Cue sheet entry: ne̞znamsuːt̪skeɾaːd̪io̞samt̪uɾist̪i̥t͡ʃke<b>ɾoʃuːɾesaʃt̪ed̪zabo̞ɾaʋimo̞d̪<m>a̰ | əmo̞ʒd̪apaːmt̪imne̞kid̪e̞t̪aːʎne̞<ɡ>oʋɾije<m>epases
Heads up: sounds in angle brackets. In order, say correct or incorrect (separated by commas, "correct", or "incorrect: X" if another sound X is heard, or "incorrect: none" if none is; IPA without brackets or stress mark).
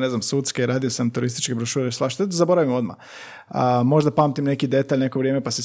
correct, correct, incorrect: k, correct